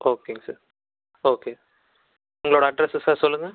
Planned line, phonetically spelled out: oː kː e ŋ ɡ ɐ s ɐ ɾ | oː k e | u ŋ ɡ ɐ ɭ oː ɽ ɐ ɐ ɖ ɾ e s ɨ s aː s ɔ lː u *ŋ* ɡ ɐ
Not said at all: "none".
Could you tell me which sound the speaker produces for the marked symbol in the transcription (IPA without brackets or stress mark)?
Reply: ŋ